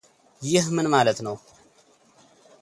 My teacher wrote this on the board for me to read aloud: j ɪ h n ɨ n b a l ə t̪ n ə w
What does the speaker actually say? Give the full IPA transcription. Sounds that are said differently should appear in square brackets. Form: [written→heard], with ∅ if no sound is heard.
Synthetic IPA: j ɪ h [n→m] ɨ n [b→m] a l ə t̪ n ə w